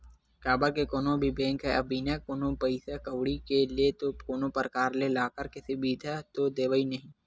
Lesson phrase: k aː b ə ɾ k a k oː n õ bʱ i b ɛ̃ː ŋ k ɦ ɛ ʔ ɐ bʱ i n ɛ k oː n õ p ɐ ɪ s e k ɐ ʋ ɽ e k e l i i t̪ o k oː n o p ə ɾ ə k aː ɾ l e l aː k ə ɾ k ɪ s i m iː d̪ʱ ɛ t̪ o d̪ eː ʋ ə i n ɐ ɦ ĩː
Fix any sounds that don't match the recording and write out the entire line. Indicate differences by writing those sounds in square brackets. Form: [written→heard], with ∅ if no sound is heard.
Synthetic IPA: k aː b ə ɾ k [a→e] k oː n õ bʱ i b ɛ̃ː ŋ k ɦ ɛ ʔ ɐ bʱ i n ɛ k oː n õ p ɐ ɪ s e k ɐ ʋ ɽ [e→i] k e l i [i→e] t̪ o k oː n o p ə ɾ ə k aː ɾ l e l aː k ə ɾ k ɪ s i [m→b] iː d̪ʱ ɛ t̪ o d̪ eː ʋ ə i n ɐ ɦ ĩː